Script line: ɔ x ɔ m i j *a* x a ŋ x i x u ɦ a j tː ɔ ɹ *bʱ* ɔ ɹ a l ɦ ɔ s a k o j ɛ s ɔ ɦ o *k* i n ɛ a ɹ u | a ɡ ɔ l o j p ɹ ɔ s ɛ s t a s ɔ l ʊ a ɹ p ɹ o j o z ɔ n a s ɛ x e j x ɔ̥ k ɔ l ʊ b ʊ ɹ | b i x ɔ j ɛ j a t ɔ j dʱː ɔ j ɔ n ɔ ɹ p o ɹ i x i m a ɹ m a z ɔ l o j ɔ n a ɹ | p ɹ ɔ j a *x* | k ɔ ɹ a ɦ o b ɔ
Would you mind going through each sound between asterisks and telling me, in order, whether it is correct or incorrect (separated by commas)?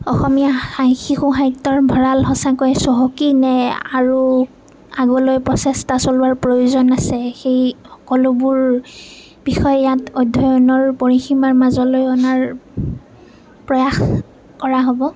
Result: correct, correct, correct, correct